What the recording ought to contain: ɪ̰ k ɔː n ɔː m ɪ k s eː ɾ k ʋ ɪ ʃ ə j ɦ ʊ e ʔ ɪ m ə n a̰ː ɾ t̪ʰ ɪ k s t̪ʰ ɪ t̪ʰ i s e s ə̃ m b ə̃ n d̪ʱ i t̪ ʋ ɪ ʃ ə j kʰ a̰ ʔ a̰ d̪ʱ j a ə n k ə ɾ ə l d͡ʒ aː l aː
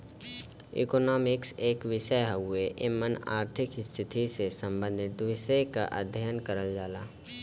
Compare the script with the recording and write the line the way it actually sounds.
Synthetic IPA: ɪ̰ k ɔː n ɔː m ɪ k s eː k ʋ ɪ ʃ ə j ɦ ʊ e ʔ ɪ m ə n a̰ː ɾ t̪ʰ ɪ k s t̪ʰ ɪ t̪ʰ i s e s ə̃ m b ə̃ n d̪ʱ ɪ t̪ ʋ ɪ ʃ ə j k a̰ ʔ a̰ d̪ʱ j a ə n k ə ɾ ə l d͡ʒ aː l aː